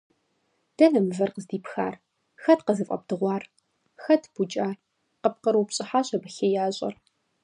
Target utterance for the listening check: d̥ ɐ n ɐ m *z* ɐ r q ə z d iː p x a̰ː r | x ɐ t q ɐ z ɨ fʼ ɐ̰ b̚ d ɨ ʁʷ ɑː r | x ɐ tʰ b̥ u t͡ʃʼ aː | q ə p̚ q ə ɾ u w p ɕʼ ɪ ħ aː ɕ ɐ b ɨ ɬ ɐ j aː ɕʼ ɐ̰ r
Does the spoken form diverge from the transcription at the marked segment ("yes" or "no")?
yes